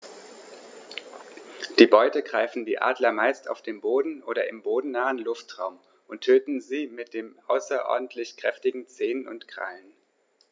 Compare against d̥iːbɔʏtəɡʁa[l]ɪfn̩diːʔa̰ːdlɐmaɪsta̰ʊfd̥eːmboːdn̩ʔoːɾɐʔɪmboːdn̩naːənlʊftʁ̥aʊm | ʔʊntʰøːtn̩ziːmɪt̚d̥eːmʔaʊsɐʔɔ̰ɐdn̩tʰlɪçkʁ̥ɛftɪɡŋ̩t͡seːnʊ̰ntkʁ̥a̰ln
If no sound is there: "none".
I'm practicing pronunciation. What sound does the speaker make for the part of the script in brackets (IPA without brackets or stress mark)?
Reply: none